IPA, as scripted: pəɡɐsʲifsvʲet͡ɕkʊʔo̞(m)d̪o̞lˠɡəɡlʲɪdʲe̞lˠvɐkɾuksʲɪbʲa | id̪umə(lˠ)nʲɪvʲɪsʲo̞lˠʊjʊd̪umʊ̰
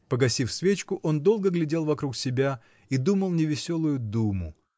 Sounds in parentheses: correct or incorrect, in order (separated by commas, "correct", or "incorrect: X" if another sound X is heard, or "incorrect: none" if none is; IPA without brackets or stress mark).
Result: incorrect: n, correct